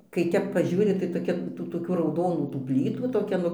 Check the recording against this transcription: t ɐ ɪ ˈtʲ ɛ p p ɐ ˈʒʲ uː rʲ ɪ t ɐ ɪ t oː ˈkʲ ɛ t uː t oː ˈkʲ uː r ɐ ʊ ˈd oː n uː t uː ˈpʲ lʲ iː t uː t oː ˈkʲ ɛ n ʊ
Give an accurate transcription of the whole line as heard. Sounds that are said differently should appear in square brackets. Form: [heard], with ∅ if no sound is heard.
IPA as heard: [k] ɐ ɪ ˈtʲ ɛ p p ɐ ˈʒʲ uː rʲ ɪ t ɐ ɪ t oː ˈkʲ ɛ t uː t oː ˈkʲ uː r ɐ ʊ ˈd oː n uː t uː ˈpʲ lʲ iː t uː t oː ˈkʲ ɛ n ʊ